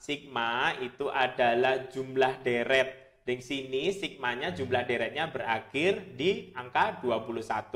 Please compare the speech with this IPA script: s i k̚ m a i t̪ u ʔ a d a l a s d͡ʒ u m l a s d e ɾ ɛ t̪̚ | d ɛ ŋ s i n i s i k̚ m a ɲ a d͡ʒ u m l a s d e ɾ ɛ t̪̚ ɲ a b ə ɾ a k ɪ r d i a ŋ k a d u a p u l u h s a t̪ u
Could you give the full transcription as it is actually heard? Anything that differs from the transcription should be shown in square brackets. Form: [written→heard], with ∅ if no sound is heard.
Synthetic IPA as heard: s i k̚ m a i t̪ u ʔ a d a l a [s→h] d͡ʒ u m l a [s→h] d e ɾ ɛ t̪̚ | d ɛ ŋ s i n i s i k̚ m a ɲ a d͡ʒ u m l a [s→h] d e ɾ ɛ t̪̚ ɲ a b ə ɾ a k ɪ r d i a ŋ k a d u a p u l u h s a t̪ u